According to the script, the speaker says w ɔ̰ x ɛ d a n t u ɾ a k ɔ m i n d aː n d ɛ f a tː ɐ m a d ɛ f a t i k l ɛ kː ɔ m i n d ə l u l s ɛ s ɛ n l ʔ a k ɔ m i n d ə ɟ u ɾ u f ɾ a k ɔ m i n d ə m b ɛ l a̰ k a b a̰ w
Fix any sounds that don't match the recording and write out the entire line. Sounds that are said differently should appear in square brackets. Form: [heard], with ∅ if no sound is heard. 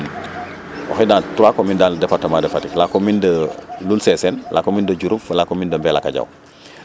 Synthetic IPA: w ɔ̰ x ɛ d a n t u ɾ a k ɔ m i n d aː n d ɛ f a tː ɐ m a d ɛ f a t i k l [a] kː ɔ m i n d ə l u l s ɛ s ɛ n l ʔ a k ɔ m i n d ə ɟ u ɾ u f [l] a k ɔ m i n d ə m b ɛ l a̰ k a [ɟ] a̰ w

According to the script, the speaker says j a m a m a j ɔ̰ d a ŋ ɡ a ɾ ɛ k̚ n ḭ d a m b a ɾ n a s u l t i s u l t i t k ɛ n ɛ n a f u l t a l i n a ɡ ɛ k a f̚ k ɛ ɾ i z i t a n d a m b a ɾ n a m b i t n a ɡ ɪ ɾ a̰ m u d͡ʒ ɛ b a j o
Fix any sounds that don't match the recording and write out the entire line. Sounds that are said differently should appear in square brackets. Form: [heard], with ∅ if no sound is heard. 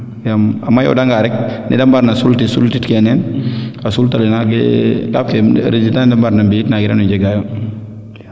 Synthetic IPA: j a m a m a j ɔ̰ d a ŋ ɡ a ɾ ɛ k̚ n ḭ d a m b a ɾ n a s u l t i s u l t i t k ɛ n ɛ n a [s] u l t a l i n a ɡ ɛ k a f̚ k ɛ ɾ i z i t a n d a m b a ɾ n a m b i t n a ɡ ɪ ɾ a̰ [n] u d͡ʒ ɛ [ɡ] a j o

